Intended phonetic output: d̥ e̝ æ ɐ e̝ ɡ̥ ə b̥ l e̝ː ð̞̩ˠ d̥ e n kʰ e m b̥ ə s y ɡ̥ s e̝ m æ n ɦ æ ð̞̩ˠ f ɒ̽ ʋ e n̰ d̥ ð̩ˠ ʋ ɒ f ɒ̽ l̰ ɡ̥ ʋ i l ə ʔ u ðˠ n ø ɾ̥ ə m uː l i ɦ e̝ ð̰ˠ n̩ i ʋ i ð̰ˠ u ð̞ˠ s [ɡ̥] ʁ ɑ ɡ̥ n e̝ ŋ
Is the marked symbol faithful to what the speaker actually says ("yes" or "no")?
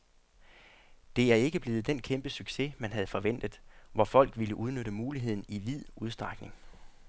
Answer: no